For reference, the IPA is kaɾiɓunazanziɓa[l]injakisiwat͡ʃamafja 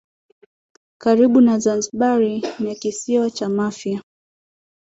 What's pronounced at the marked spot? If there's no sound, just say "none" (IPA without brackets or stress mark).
ɾ